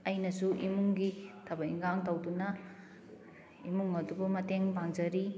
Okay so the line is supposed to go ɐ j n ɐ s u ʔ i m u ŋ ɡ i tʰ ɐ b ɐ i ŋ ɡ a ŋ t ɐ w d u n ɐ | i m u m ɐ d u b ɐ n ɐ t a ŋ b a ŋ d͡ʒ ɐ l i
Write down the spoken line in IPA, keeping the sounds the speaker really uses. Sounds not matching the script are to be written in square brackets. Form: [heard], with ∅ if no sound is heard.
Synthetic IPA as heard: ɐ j n ɐ s u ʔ i m u ŋ ɡ i tʰ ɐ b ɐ i ŋ ɡ a ŋ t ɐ w d u n ɐ | i m u [ŋ] ɐ d u b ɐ [m] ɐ t [e] ŋ b a ŋ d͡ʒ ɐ [ɾ] i